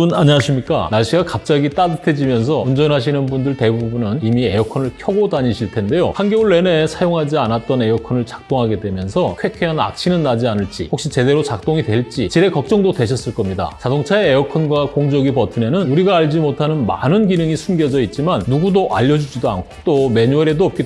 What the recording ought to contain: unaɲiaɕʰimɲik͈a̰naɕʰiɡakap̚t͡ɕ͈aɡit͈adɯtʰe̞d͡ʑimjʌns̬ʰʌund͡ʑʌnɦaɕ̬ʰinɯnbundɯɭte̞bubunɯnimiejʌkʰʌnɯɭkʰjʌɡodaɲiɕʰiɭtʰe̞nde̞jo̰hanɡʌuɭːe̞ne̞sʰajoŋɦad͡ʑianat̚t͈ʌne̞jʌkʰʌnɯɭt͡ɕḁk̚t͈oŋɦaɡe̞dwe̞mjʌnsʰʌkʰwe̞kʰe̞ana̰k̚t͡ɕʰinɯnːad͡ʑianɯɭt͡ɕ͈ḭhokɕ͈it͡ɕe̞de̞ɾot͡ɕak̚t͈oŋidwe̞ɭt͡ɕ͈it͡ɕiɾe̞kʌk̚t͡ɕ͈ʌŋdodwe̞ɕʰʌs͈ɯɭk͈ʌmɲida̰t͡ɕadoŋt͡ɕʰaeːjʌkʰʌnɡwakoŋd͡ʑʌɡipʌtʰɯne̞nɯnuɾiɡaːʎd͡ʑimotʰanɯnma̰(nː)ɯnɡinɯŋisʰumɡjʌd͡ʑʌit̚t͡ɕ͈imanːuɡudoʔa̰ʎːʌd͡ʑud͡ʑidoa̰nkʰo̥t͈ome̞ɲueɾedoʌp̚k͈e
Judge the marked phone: incorrect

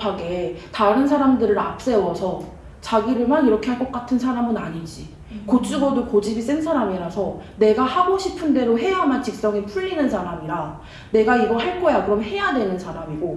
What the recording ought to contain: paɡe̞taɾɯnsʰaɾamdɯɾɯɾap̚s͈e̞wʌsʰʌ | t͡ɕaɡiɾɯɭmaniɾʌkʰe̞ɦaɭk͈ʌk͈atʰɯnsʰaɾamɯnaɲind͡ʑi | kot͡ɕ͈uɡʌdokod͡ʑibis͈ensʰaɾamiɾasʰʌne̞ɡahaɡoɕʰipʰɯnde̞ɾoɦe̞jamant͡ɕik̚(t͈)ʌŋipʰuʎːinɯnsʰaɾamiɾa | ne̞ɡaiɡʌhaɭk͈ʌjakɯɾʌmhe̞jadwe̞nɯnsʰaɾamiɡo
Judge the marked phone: incorrect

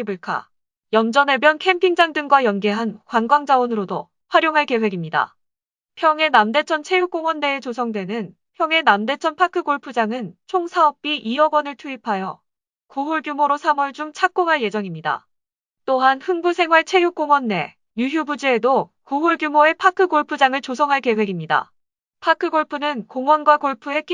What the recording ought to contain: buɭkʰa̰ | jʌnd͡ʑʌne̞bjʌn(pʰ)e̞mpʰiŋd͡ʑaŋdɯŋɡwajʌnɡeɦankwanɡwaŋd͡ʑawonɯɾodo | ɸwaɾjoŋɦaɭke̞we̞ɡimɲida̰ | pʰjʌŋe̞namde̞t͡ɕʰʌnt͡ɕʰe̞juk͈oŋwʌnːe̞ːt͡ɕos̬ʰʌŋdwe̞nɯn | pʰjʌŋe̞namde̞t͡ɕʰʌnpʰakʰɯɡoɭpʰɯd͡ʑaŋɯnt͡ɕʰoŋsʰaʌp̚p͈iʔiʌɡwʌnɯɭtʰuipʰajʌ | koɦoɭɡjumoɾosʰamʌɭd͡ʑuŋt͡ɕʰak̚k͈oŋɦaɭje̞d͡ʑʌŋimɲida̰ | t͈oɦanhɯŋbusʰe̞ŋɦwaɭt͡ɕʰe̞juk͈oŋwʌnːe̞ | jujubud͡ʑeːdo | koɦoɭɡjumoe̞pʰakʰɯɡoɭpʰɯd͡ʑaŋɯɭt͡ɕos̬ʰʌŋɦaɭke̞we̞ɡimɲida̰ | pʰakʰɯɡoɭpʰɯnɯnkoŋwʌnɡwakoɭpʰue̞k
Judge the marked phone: incorrect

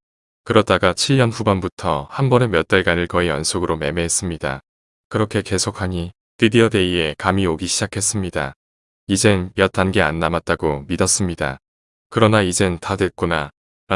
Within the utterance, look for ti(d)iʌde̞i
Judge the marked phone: correct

